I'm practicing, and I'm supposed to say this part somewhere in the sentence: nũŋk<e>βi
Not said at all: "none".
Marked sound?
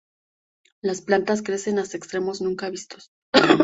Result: a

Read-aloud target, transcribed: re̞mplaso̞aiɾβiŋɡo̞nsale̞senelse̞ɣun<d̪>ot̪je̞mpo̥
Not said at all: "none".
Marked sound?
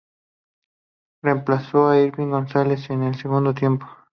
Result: d̪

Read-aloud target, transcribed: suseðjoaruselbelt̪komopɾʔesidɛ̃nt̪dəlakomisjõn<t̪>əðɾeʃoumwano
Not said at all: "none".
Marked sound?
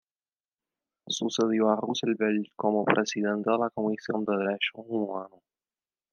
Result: d̪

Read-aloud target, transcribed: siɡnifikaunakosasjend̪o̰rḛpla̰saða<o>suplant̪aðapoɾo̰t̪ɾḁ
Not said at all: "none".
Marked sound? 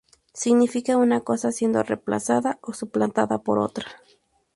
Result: o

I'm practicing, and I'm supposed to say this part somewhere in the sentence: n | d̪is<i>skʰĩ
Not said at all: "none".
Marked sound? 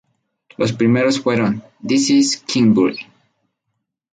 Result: i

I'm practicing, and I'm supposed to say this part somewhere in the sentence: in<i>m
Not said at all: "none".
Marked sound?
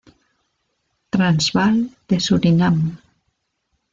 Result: a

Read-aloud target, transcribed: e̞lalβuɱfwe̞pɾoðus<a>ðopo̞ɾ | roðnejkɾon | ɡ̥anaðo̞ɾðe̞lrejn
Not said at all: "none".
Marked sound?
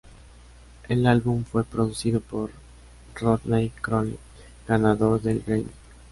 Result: i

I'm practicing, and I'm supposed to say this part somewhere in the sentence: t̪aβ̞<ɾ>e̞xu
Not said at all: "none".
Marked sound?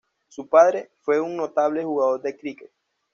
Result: l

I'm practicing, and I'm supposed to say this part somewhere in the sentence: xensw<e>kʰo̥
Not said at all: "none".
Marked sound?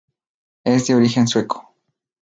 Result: e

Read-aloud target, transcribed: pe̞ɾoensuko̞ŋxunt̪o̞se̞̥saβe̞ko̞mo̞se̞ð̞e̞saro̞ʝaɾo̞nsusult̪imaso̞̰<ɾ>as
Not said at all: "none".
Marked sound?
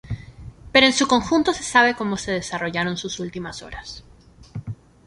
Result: ɾ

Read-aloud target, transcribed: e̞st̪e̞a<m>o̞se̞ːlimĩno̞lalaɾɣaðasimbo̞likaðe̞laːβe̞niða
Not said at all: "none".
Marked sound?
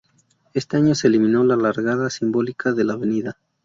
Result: ɲ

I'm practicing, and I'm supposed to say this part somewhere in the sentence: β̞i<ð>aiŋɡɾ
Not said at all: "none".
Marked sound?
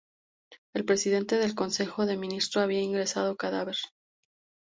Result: none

